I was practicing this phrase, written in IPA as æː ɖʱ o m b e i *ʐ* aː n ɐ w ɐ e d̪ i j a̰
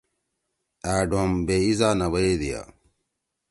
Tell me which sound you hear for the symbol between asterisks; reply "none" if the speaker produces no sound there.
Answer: z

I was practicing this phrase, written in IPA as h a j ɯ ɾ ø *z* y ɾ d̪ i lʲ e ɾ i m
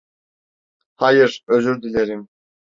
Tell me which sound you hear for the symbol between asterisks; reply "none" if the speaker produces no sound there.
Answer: z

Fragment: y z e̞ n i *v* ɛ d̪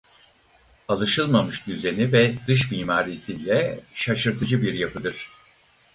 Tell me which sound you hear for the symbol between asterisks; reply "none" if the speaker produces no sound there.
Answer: v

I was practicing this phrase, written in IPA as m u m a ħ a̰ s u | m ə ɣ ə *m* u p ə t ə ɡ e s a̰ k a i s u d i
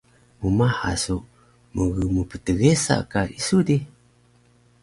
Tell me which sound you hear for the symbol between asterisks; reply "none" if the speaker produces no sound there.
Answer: m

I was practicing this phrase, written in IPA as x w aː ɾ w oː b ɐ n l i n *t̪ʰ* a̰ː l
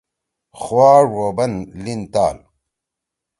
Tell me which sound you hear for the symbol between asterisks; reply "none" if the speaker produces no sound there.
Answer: t̪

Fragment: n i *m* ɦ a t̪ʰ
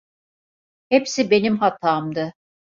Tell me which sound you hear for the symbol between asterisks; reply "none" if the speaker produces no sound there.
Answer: m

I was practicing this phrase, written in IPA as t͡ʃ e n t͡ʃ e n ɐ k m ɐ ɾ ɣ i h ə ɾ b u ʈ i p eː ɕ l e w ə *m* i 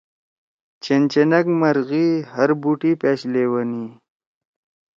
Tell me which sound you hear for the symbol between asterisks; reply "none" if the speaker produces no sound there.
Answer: n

